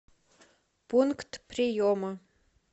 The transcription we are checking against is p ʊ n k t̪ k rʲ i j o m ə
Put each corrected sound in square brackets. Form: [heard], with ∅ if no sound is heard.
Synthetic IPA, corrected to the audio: p [u] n k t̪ [p] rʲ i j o m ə